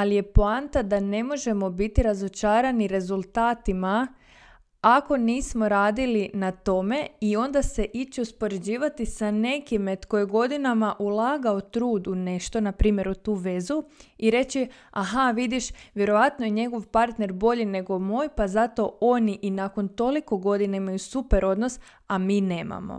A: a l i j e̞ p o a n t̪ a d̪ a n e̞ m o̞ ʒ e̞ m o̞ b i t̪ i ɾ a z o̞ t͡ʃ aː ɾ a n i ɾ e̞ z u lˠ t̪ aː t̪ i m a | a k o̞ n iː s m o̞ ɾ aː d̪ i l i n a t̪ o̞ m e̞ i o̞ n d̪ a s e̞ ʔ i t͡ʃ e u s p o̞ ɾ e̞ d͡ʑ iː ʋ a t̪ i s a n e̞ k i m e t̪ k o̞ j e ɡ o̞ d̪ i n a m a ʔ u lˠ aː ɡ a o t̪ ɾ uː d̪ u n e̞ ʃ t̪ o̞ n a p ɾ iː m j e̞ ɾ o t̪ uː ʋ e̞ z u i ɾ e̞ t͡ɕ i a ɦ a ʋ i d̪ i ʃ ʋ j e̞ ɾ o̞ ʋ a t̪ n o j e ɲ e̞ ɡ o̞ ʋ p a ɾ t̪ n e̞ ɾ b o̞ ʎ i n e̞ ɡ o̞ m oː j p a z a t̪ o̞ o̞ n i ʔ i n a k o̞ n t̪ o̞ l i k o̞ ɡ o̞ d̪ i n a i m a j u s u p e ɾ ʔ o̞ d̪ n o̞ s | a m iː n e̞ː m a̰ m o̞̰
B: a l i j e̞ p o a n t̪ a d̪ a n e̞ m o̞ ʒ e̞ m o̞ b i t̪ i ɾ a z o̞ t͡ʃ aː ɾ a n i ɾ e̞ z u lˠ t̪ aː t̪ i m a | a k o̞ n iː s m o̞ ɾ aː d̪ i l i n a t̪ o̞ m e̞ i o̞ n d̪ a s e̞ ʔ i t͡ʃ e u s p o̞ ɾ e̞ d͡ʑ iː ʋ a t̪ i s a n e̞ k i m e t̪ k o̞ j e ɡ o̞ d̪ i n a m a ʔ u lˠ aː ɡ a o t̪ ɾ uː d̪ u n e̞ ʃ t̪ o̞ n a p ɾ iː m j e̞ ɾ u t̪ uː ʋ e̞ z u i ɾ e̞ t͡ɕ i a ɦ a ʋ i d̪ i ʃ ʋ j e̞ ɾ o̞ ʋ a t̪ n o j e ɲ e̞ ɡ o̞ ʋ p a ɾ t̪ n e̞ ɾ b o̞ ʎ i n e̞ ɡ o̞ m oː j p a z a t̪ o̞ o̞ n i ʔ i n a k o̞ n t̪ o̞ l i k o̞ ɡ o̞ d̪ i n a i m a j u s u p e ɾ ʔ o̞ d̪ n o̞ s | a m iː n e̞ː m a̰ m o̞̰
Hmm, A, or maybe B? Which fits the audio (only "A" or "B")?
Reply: B